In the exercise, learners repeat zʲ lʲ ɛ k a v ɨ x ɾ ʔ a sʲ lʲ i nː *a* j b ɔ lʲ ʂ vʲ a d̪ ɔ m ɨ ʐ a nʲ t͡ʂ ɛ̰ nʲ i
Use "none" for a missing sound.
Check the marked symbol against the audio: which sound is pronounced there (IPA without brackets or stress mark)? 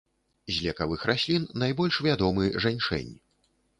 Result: a